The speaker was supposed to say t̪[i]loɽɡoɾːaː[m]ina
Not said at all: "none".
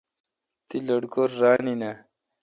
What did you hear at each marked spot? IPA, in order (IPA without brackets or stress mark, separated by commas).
i, n